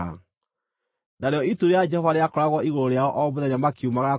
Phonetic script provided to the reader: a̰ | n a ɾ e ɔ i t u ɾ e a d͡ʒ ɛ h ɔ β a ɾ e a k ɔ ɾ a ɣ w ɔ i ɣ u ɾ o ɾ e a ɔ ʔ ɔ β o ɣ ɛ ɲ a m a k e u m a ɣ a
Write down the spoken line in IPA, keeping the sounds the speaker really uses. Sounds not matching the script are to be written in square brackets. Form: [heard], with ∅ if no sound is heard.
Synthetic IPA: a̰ | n a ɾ e ɔ i t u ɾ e a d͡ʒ ɛ h ɔ [v] a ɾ e a k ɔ ɾ a ɣ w ɔ i ɣ [o] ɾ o ɾ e a ɔ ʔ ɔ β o [ð] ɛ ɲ a m a k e u m a ɣ a